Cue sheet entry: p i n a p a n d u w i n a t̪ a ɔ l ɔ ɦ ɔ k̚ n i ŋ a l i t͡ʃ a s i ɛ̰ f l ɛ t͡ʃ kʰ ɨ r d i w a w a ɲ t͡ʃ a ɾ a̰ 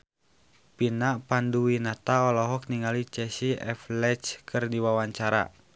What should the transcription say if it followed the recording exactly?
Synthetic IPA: p i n a p a n d u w i n a t̪ a ɔ l ɔ ɦ ɔ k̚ n i ŋ a l i t͡ʃ ɛ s i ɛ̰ f l ɛ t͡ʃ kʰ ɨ r d i w a w a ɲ t͡ʃ a ɾ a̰